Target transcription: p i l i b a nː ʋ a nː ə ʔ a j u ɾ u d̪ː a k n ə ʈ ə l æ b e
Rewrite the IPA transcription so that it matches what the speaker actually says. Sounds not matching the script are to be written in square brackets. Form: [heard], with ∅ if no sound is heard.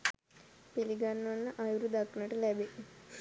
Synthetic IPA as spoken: p i l i [ɡ] a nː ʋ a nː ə ʔ a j u ɾ u [d̪] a k n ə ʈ ə l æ b e